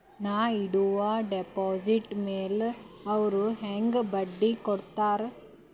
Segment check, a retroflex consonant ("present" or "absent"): present